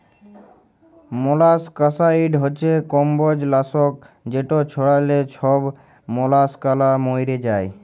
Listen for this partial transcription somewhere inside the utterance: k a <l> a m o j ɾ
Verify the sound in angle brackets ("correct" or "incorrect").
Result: correct